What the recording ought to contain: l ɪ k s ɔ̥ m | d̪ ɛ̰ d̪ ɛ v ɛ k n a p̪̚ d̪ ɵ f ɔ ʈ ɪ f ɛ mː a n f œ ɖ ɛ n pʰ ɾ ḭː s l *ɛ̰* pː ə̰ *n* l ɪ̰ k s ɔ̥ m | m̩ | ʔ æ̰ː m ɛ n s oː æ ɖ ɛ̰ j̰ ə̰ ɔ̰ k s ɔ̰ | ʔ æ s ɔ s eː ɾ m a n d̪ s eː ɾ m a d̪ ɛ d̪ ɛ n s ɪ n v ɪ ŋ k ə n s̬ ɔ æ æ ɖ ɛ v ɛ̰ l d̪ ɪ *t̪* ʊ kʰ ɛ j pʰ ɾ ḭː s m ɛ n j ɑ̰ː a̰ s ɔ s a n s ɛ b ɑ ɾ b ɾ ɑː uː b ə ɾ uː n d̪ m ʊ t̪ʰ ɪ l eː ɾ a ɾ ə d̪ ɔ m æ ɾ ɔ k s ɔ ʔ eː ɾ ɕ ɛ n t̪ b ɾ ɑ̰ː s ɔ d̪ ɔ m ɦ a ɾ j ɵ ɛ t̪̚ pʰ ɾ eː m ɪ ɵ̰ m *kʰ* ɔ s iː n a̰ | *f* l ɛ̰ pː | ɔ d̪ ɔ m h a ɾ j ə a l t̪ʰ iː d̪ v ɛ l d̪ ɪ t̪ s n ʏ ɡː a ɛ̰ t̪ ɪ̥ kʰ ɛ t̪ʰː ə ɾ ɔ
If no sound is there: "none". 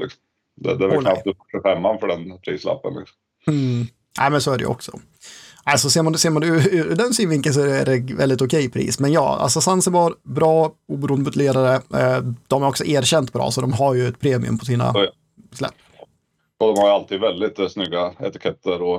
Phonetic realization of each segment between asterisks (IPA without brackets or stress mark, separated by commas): a̰, n, t̪, pʰ, s